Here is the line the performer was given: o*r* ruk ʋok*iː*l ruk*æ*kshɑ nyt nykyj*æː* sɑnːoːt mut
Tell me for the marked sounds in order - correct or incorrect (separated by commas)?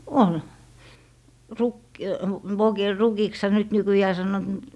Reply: incorrect, incorrect, incorrect, correct